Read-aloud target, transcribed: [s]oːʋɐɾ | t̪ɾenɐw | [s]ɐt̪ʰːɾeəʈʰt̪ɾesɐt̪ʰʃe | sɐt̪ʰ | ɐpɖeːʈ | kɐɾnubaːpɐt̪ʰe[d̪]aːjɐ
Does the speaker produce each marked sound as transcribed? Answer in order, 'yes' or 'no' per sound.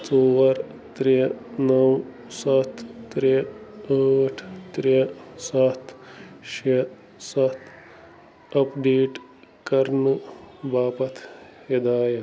no, yes, yes

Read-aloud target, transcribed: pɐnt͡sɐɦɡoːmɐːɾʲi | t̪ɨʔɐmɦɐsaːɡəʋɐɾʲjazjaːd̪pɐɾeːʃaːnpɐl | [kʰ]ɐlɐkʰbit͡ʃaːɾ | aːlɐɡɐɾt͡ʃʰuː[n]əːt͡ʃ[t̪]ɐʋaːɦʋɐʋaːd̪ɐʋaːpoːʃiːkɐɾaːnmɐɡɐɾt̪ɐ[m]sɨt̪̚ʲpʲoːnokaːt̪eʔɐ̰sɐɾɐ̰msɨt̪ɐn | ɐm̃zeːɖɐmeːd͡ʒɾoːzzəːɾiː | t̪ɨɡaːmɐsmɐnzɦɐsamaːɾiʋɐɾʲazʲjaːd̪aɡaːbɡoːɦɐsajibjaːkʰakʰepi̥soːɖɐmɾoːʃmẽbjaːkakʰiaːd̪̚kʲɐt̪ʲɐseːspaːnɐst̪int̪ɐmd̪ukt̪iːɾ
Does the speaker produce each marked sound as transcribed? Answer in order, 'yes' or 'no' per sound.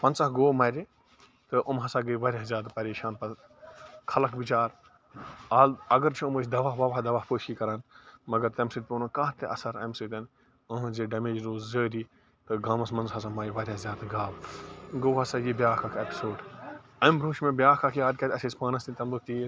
yes, no, no, yes

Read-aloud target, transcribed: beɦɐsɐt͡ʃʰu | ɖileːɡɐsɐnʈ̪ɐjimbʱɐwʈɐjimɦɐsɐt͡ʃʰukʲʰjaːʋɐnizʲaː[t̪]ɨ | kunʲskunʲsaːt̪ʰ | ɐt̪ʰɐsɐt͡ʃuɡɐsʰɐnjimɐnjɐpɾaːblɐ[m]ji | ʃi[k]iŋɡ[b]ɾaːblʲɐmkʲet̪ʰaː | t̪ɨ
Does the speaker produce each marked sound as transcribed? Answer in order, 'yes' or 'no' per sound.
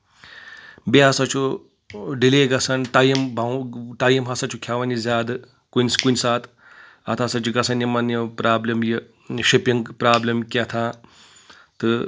no, yes, no, no

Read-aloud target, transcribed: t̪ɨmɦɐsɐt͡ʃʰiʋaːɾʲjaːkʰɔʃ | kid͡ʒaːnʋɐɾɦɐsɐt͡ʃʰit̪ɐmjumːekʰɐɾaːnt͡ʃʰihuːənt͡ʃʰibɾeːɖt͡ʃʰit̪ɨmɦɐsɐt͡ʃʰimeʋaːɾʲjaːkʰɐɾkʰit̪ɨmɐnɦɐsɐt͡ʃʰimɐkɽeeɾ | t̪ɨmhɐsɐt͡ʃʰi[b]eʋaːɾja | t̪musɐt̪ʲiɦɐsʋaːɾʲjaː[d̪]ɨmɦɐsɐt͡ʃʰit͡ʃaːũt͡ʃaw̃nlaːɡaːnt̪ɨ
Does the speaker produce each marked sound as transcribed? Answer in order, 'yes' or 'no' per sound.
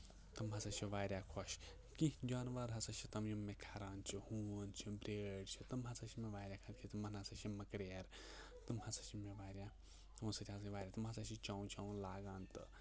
no, no

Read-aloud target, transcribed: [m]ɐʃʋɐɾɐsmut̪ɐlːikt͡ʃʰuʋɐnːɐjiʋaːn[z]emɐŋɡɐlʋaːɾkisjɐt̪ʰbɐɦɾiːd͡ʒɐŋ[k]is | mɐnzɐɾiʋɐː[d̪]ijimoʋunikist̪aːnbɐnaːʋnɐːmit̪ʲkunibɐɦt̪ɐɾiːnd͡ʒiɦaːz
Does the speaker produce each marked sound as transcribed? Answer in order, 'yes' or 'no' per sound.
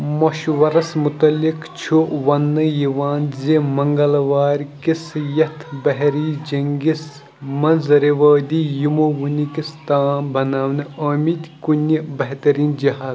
yes, yes, no, yes

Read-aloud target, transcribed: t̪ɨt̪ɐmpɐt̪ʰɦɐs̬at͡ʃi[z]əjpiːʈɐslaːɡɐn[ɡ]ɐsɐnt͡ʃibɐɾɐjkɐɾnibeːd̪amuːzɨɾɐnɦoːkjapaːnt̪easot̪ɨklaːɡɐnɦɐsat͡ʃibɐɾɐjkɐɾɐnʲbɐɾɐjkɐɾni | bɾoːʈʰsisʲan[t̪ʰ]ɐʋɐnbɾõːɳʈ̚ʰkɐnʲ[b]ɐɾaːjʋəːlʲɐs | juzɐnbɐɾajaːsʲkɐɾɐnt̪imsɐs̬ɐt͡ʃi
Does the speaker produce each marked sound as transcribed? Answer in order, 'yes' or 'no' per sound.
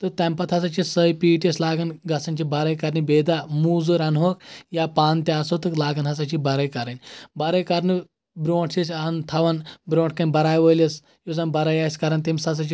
no, yes, yes, yes

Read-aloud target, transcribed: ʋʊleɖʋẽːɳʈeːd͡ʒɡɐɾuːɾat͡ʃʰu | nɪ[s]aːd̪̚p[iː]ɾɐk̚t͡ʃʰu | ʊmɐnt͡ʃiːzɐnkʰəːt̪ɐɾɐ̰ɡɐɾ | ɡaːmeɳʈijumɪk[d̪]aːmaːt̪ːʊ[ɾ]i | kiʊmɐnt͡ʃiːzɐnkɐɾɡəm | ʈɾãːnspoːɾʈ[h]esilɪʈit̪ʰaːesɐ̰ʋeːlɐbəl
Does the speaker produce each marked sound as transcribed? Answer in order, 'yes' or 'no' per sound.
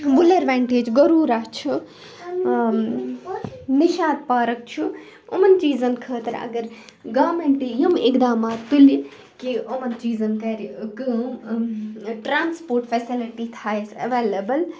no, no, yes, no, no

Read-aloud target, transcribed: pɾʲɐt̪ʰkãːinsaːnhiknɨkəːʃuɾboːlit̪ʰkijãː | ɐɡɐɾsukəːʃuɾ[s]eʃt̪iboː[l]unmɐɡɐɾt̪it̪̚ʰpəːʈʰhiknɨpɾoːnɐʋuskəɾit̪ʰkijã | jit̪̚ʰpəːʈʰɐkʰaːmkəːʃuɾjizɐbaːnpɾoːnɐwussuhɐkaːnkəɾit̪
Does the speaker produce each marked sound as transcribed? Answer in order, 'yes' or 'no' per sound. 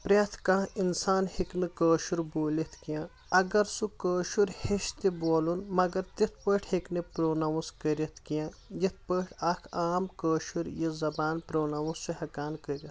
no, yes

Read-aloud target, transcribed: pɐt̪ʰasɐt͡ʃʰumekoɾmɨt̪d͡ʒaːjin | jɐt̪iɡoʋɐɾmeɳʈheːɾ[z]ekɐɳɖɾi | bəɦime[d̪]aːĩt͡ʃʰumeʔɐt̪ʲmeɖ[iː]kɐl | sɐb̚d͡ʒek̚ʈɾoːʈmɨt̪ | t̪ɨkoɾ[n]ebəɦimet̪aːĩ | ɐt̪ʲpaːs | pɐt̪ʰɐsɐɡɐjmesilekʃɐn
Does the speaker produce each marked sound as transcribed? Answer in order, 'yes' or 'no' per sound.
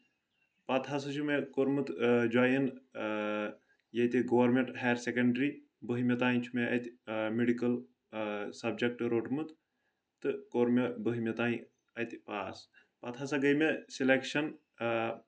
no, no, no, no

